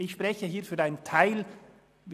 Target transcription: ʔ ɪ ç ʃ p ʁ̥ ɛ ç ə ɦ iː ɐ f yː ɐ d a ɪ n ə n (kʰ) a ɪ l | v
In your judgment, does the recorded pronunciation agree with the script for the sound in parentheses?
no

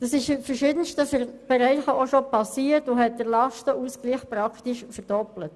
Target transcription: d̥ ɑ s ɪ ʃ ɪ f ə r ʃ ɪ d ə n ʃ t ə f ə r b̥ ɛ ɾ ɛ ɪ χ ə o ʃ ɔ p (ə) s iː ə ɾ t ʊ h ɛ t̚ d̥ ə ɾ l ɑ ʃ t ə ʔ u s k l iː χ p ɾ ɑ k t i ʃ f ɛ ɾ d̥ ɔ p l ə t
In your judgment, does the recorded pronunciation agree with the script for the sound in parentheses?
no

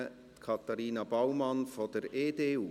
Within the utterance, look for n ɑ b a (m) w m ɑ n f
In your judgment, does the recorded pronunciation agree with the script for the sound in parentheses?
no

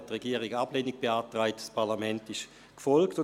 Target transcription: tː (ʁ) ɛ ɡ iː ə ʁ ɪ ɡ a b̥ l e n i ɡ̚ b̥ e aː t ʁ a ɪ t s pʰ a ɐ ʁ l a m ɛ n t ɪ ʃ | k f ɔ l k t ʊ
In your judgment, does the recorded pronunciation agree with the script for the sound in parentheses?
yes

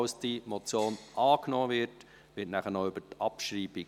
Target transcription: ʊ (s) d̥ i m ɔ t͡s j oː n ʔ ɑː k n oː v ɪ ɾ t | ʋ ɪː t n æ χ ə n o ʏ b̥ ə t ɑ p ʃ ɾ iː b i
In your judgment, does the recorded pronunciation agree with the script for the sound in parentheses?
yes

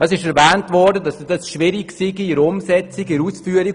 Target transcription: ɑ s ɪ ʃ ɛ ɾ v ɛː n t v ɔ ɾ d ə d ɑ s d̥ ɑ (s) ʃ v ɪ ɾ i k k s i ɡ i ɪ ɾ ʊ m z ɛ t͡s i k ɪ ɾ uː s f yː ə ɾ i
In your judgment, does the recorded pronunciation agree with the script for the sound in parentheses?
yes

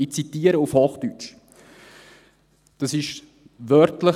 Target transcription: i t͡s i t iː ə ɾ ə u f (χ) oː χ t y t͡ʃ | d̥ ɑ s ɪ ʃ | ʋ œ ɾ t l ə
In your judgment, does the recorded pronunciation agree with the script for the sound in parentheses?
no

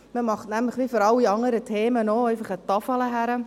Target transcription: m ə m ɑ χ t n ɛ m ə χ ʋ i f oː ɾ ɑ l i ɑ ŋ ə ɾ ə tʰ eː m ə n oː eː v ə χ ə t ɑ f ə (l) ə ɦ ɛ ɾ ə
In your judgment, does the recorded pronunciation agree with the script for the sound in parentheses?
yes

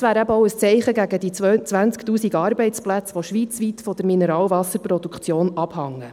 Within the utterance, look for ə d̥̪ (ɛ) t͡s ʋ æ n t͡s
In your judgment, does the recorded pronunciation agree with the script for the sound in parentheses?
no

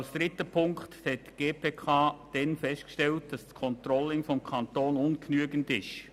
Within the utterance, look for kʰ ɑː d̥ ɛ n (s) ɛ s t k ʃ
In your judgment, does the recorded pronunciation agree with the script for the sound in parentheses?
no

